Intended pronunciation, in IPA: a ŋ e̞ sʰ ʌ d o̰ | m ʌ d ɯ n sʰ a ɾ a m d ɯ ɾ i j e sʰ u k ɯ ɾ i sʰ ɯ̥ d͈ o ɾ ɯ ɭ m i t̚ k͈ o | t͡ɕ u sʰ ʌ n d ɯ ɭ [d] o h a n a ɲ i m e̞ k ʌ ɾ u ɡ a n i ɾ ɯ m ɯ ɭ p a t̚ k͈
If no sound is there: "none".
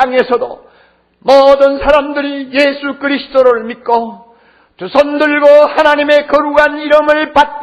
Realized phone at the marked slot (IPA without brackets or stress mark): ɡ